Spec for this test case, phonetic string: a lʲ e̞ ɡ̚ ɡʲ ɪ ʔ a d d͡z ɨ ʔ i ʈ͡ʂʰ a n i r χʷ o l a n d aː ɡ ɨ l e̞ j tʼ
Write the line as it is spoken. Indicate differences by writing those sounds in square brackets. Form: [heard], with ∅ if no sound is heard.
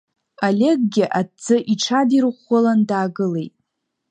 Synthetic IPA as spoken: a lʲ e̞ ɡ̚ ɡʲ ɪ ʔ a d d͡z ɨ ʔ i ʈ͡ʂʰ a [d] i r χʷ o l a n d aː ɡ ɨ l e̞ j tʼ